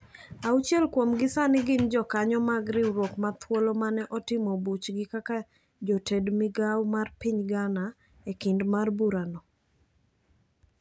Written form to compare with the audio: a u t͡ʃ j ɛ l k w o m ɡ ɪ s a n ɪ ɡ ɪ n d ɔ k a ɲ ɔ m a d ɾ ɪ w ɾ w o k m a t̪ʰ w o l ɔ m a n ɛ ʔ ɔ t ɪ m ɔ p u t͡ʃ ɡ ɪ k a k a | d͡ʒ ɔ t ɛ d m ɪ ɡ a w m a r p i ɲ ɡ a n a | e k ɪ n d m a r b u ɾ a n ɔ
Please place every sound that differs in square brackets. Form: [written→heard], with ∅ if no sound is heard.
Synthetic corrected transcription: a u t͡ʃ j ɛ l k w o m ɡ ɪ s a n ɪ ɡ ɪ n [d→d͡ʒ] ɔ k a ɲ ɔ m a [d→ɡ] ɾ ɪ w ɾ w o k m a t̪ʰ w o l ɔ m a n ɛ ʔ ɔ t ɪ m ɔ [p→b] u t͡ʃ ɡ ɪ k a k a | d͡ʒ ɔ t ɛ d m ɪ ɡ a w m a r p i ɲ ɡ a n a | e k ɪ n d m a r b u ɾ a n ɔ